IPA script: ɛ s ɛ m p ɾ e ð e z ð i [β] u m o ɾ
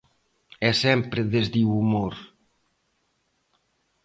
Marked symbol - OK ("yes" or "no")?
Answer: no